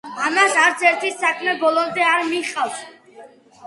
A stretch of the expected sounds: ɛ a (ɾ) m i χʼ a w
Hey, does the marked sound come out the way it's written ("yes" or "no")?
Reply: yes